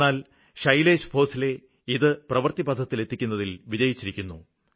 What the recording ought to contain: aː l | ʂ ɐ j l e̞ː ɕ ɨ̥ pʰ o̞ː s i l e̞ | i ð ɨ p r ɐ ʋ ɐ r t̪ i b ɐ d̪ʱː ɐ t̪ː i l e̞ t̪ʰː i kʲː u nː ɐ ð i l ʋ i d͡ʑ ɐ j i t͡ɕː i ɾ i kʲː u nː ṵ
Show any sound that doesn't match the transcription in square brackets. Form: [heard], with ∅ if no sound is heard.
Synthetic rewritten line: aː l | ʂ ɐ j l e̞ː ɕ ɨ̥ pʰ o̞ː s i l e̞ | i ð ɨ p r ɐ ʋ ɐ r t̪ i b ɐ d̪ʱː ɐ t̪ː i l e̞ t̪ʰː i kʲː u nː ɐ ð i l ʋ i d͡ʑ ɐ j i t͡ɕː i ɾ i kʲː u nː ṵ